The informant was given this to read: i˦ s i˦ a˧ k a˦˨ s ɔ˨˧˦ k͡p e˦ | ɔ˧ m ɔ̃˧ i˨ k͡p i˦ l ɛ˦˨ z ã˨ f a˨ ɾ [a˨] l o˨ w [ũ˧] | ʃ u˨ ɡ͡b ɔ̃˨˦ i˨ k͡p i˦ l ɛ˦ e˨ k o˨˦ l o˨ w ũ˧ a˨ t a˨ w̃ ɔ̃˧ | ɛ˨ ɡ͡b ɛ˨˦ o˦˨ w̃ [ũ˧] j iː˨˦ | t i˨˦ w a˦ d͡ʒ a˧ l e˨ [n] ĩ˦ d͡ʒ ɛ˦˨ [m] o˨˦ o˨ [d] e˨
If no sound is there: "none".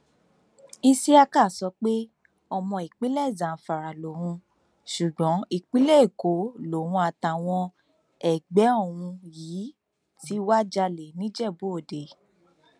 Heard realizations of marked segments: a˨, ũ˧, ũ˧, n, b, d

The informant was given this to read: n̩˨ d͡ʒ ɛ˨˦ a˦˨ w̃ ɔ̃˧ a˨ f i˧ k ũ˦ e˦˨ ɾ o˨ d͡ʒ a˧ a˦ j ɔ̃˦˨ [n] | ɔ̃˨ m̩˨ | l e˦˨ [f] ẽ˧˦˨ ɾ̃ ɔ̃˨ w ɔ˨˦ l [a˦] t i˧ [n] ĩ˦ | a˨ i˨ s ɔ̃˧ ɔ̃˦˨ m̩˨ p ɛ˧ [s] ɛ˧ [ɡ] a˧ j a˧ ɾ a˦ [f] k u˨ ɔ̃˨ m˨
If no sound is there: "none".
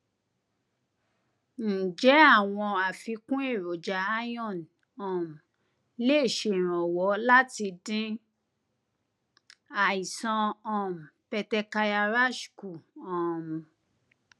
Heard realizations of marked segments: n, ʃ, a˦, d, t, k, ʃ

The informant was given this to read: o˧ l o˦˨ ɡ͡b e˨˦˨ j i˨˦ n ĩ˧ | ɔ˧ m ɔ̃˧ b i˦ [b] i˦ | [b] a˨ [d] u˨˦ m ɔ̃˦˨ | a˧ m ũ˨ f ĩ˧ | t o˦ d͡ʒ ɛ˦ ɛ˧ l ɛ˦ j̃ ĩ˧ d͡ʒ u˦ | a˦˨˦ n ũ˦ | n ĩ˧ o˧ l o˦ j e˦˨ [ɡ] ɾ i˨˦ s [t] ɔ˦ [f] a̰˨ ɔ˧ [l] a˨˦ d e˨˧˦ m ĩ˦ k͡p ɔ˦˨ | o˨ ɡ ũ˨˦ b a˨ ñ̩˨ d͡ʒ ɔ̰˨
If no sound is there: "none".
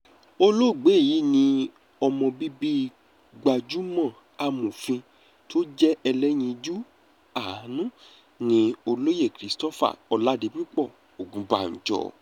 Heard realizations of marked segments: b, ɡ͡b, d͡ʒ, k, t, f, l

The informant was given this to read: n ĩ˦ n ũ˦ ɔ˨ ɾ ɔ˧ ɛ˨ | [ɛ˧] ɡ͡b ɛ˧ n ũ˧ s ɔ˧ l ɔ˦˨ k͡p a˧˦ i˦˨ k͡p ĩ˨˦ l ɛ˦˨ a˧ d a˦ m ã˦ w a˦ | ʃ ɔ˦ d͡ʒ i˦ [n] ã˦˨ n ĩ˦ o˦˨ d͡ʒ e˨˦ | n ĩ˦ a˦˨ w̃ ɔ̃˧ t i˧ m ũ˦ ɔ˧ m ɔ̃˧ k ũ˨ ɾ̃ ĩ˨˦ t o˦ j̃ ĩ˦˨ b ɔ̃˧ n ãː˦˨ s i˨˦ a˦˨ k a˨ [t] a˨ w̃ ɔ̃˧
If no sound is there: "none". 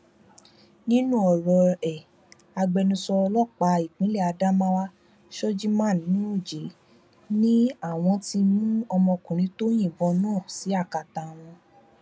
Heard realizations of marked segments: a˧, m, t

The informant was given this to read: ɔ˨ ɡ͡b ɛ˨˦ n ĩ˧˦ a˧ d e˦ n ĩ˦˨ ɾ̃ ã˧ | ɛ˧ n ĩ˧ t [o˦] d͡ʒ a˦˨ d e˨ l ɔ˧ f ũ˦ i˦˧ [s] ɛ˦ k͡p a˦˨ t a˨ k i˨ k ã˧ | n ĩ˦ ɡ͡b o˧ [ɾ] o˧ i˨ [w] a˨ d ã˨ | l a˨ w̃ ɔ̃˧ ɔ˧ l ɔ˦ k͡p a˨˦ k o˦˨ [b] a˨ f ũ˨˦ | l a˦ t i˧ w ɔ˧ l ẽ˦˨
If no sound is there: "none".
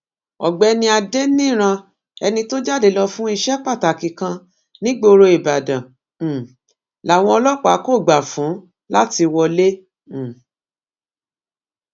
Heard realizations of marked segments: o˦, ʃ, ɾ, b, ɡ͡b

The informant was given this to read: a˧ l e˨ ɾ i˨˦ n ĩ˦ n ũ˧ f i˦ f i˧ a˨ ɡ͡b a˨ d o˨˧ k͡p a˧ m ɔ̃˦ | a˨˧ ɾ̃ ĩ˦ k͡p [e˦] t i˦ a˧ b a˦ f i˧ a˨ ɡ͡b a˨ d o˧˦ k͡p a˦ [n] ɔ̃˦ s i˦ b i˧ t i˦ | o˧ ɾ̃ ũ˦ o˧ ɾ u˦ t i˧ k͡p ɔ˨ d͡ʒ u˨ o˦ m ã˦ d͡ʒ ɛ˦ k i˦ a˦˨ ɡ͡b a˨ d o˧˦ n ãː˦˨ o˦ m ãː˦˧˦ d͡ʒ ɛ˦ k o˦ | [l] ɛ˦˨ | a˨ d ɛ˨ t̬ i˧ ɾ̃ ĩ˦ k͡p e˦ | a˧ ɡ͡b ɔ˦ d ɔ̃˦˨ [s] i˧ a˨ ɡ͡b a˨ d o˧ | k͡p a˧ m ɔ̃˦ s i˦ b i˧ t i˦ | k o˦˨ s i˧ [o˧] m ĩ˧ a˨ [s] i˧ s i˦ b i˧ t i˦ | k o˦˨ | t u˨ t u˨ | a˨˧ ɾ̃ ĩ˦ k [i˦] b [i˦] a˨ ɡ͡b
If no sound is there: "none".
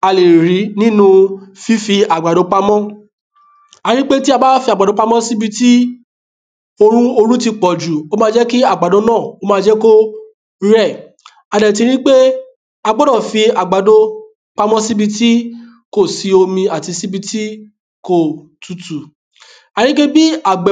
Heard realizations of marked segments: e˦, m, ɾ, f, o˧, t, e˦, i˦

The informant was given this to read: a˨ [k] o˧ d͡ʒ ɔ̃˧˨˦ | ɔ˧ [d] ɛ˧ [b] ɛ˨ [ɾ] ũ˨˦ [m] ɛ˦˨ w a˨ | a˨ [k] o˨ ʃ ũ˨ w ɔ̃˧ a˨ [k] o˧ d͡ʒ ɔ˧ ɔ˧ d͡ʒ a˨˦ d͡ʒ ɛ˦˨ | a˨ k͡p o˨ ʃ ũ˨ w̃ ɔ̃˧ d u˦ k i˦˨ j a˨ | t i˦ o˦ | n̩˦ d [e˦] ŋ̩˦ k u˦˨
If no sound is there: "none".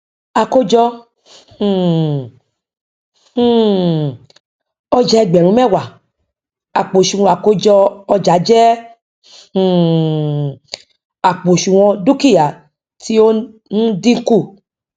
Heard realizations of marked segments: k, d͡ʒ, ɡ͡b, ɾ, m, k͡p, k, i˦

